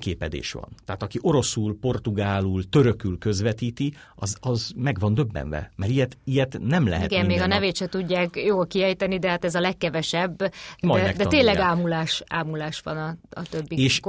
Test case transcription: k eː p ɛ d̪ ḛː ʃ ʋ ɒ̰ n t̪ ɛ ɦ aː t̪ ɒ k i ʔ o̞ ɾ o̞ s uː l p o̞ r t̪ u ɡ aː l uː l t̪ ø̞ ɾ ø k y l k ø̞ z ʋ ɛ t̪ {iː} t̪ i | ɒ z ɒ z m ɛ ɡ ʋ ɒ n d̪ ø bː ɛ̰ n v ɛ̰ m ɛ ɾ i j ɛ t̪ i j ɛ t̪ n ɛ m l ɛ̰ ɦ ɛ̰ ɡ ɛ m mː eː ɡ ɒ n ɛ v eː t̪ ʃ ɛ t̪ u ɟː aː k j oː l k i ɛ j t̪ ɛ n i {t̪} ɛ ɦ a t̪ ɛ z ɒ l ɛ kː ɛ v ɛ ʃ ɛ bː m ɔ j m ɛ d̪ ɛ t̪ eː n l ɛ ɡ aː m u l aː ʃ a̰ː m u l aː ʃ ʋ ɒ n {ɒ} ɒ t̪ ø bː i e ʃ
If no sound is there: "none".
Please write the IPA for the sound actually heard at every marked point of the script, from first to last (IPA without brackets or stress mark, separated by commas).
iː, d̪, ɒ